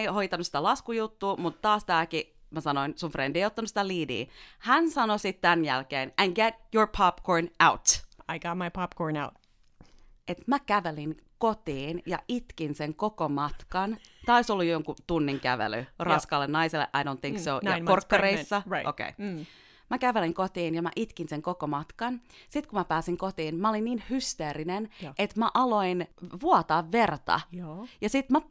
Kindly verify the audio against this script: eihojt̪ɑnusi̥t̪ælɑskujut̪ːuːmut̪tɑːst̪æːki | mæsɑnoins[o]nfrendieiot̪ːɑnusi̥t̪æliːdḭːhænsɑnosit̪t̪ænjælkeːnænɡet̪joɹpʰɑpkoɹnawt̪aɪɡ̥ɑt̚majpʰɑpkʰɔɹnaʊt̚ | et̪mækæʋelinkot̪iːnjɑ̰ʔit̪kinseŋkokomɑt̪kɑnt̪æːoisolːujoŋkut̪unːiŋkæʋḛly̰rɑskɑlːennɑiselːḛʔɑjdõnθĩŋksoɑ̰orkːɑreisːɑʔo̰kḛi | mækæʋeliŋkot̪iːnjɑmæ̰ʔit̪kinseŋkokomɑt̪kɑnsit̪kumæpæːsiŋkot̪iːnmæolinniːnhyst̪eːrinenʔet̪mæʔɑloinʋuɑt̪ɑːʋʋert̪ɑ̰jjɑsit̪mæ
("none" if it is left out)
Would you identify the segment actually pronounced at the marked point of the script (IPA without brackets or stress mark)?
u